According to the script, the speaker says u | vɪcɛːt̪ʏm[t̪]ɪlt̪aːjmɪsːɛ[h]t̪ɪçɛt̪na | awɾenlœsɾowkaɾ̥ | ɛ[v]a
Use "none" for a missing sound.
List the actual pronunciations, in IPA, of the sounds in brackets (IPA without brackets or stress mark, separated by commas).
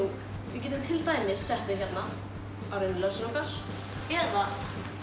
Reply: t̪ʰ, h, ð